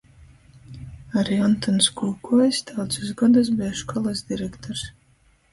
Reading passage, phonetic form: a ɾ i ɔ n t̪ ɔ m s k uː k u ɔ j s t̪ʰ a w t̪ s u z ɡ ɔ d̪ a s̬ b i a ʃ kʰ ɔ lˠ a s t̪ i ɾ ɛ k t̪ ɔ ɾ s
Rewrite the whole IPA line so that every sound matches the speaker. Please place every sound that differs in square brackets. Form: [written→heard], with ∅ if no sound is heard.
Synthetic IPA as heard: a ɾ i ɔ n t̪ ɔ [m→n] s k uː k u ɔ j s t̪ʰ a w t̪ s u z ɡ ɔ d̪ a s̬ b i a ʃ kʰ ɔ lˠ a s [t̪→d̪] i ɾ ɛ k t̪ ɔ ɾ s